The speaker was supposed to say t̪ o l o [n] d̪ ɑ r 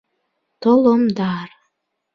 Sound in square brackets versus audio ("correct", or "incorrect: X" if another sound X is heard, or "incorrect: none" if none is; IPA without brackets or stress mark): incorrect: m